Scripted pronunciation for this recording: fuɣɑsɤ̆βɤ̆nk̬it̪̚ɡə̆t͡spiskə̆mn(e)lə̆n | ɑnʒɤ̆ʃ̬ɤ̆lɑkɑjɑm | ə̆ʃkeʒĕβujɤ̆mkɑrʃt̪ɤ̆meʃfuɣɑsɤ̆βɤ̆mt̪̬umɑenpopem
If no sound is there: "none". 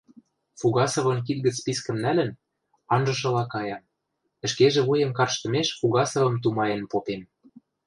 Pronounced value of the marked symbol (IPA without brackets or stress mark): æ